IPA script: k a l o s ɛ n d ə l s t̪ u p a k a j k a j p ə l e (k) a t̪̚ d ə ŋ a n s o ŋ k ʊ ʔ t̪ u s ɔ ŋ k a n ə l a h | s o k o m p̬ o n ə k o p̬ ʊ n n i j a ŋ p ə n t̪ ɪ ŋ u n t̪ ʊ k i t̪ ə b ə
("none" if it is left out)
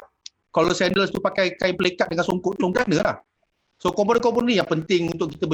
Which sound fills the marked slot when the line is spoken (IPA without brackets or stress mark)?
k